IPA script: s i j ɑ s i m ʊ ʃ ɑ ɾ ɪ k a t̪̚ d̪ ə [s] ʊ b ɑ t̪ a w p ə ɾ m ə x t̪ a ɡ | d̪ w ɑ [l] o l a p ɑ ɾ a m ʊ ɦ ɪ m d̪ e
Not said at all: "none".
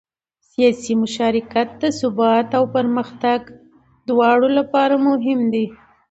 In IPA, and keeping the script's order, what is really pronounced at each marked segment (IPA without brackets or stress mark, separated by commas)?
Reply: s, ɽ